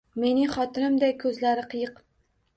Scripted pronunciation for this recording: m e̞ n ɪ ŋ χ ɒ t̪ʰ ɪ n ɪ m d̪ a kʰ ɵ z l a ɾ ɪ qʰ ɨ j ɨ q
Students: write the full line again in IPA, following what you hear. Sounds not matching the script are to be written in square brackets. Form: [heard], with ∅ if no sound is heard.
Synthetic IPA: m e̞ n ɪ ŋ χ ɒ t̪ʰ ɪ n ɪ m d̪ a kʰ ɵ z l a ɾ ɪ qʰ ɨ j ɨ q